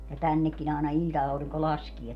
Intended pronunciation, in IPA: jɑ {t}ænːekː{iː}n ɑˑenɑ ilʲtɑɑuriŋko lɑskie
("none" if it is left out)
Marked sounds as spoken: t, i

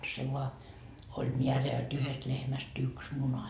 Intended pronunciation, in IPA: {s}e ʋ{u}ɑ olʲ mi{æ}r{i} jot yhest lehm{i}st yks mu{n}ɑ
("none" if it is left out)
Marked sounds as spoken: s, o, æ, æ, æ, n

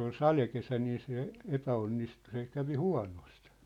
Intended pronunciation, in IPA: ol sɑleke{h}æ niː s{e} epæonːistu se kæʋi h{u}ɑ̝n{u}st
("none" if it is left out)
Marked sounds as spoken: s, e, u, o

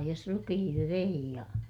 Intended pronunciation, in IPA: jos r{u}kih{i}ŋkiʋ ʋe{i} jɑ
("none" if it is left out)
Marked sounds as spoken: u, i, i

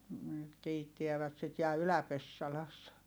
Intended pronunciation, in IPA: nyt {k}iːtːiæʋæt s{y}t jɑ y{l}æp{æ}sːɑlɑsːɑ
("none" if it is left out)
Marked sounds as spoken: k, i, l, e

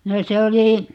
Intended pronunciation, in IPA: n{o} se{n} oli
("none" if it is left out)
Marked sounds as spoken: o, none

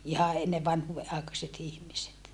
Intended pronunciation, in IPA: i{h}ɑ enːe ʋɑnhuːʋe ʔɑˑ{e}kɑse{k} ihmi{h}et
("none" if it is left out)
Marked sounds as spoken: h, e, t, s

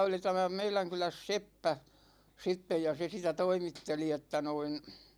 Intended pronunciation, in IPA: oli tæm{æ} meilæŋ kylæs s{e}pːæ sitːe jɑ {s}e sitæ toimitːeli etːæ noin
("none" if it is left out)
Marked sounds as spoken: æ, e, s

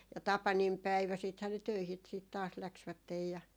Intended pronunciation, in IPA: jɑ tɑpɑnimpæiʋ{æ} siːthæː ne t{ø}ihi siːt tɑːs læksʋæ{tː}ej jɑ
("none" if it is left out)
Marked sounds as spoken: æ, ø, tː

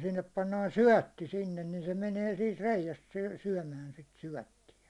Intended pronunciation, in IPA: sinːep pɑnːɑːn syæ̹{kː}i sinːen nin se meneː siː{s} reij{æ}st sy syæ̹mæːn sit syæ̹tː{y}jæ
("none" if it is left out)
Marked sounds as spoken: tː, t, æ, i

